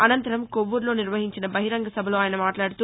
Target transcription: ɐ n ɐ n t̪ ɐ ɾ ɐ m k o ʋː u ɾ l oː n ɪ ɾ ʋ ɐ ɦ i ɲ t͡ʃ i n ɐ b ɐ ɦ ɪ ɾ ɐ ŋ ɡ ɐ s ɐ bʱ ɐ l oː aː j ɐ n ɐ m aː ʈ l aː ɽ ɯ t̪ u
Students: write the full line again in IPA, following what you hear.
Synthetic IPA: ɐ n ɐ n t̪ ɐ ɾ ɐ m k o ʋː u ɾ l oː n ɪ ɾ ʋ ɐ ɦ i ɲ t͡ʃ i n ɐ b ɐ ɦ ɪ ɾ ɐ ŋ ɡ ɐ s ɐ bʱ ɐ l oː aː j ɐ n ɐ m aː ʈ l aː ɽ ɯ t̪ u